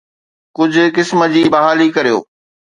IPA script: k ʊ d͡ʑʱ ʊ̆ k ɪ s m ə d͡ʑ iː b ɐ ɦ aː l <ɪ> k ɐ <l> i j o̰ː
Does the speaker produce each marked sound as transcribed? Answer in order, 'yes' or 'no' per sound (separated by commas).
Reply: no, no